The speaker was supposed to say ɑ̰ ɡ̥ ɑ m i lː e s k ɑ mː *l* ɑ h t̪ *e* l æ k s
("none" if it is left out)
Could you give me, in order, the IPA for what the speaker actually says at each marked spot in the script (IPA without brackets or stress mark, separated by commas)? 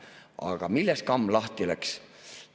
l, i